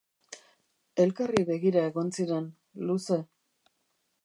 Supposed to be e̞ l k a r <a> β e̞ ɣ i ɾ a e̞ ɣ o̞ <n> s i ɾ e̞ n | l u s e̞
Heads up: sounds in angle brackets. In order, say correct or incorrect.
incorrect: i, correct

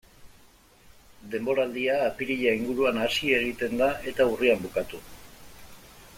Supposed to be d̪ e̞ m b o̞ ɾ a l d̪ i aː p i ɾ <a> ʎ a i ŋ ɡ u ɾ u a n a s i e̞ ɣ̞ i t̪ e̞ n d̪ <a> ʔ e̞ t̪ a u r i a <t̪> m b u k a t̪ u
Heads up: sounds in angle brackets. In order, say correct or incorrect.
incorrect: i, correct, incorrect: none

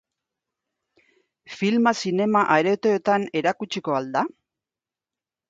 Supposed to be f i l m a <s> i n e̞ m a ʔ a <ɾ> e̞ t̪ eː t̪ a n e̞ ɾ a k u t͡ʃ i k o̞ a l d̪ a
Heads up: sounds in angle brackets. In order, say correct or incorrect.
correct, correct

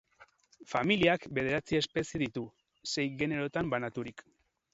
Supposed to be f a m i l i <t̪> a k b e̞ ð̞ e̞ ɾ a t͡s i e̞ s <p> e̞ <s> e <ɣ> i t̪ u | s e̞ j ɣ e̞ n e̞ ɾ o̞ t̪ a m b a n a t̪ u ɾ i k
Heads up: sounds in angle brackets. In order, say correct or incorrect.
incorrect: none, correct, correct, incorrect: ð

